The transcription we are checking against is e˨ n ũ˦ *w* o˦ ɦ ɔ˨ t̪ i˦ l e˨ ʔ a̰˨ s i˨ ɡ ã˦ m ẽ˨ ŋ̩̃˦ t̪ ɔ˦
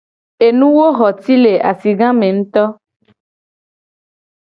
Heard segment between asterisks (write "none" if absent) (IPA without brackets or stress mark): w